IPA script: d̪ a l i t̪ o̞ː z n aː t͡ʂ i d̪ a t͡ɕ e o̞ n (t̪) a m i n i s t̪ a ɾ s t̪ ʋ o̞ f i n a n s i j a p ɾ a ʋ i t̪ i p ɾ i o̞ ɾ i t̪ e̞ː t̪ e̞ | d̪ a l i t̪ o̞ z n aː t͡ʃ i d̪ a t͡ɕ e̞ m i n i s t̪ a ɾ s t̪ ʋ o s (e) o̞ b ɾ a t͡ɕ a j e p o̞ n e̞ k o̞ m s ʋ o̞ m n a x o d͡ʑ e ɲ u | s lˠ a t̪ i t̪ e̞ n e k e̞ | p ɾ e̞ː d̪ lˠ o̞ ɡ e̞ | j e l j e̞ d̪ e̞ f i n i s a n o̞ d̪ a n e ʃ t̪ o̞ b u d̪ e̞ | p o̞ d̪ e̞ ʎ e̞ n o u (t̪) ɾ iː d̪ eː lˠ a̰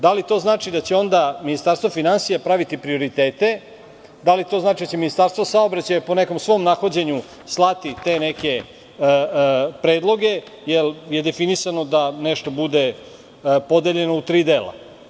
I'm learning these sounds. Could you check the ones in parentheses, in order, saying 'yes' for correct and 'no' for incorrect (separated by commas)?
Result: no, no, yes